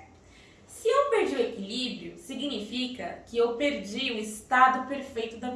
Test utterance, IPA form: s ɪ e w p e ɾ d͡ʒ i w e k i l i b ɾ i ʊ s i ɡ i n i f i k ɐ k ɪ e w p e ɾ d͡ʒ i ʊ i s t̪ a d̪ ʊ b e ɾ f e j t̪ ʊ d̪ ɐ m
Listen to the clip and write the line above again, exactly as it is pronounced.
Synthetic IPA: s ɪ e w p e ɾ d͡ʒ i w e k i l i b ɾ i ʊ s i ɡ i n i f i k ɐ k ɪ e w p e ɾ d͡ʒ i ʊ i s t̪ a d̪ ʊ p e ɾ f e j t̪ ʊ d̪ ɐ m